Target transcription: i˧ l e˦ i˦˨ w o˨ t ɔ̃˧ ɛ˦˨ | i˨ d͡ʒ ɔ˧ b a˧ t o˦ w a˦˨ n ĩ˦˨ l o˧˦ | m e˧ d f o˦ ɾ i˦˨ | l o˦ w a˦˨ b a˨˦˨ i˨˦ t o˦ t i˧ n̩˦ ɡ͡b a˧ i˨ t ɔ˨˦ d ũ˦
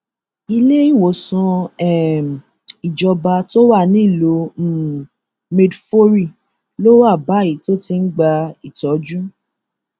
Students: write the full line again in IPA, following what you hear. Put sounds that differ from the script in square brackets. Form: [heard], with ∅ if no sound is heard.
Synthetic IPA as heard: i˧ l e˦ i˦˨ w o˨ [s] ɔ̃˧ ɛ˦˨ | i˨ d͡ʒ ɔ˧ b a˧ t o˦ w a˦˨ n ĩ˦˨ l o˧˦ | m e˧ d f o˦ ɾ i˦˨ | l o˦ w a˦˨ b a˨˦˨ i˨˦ t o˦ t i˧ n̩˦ ɡ͡b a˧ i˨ t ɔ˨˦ [d͡ʒ] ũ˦